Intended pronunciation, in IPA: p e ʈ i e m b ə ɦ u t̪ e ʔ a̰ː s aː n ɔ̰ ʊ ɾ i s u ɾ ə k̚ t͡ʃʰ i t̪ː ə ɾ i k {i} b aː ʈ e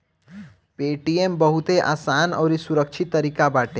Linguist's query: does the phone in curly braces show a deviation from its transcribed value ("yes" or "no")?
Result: yes